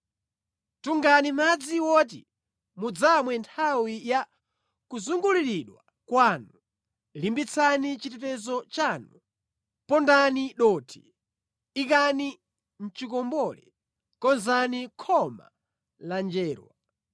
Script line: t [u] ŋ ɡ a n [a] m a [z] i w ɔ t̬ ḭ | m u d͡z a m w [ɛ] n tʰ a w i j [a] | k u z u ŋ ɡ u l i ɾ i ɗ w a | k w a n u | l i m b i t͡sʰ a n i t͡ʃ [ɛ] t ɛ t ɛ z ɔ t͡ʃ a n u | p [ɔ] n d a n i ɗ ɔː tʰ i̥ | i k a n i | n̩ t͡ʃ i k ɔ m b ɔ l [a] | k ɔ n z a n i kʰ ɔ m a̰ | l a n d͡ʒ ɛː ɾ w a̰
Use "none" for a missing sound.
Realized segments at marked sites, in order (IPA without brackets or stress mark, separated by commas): u, i, d͡z, ɛ, a, i, ɔ, ɛ